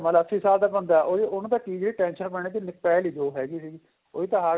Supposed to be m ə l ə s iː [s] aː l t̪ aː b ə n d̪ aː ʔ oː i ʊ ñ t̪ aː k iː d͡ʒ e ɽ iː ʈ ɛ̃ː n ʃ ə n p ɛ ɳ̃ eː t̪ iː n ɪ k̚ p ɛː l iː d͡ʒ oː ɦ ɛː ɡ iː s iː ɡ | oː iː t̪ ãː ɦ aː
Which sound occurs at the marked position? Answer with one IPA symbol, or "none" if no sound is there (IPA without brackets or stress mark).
s